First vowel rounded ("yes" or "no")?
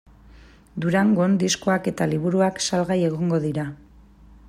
yes